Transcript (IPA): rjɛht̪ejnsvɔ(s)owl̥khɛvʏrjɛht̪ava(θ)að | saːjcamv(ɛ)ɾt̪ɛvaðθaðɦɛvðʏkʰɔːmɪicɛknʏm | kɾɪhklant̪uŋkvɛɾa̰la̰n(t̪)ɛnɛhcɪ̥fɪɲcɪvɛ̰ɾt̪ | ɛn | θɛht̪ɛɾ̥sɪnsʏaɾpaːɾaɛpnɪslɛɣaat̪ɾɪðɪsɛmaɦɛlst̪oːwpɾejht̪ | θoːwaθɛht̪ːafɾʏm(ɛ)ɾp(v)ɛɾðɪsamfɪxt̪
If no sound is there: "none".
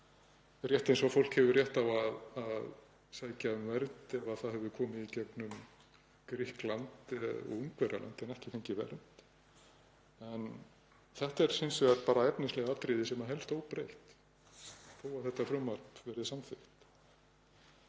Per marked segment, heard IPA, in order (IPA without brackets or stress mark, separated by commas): f, ð, ɛ, t̪, a, v